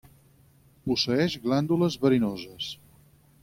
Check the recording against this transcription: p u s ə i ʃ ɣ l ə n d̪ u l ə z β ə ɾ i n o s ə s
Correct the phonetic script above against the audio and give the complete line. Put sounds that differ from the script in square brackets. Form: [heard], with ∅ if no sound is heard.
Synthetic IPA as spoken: p u s ə [ɛ] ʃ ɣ l [a] n d̪ u l ə z β ə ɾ i n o [z] ə s